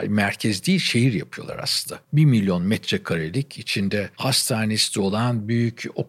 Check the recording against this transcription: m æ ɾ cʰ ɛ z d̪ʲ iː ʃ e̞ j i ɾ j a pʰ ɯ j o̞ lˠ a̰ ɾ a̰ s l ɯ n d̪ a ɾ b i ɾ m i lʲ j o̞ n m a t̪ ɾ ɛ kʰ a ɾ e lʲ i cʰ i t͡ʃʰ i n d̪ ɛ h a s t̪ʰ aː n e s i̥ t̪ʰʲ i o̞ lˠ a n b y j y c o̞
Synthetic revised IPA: m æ ɾ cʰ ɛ z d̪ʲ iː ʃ e̞ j i ɾ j a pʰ ɯ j o̞ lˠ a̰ ɾ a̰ s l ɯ n d̪ a b i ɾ m i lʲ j o̞ n m ɛ t̪ ɾ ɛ kʰ a ɾ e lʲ i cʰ i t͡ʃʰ i n d̪ ɛ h a s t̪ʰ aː n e s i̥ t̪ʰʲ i o̞ lˠ a n b y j y c o̞